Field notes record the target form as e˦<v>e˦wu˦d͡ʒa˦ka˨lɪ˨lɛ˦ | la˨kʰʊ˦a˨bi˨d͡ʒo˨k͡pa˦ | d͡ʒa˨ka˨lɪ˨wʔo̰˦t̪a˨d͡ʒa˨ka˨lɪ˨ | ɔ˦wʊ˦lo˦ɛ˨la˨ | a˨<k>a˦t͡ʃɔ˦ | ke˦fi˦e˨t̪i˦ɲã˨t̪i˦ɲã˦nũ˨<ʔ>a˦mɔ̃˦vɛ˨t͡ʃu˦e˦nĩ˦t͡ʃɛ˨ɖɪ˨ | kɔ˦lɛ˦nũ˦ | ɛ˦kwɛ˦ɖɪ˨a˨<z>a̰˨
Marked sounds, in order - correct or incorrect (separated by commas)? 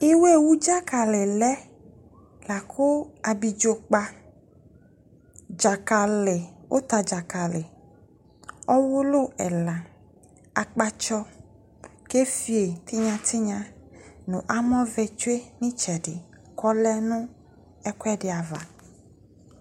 incorrect, incorrect, correct, incorrect